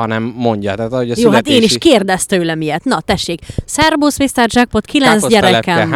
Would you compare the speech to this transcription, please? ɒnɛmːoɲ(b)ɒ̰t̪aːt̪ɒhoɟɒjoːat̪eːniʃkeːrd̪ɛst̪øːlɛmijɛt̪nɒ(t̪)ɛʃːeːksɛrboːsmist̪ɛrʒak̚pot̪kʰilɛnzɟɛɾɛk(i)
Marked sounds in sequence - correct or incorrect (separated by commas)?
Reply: incorrect, correct, incorrect